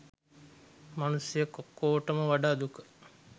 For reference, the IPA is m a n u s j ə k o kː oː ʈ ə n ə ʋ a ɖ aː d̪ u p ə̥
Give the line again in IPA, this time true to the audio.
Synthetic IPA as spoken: m a n u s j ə k o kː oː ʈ ə m ə ʋ a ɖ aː d̪ u k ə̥